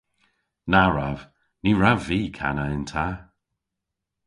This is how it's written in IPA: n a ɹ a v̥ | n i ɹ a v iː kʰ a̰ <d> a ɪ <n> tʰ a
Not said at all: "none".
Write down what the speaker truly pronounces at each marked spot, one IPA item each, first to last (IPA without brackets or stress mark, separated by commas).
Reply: n, n